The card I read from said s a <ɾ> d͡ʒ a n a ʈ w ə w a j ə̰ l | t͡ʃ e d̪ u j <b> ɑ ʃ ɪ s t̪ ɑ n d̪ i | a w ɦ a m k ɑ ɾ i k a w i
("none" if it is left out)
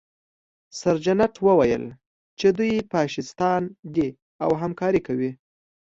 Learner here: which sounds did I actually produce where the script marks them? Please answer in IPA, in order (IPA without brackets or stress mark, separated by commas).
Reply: ɾ, p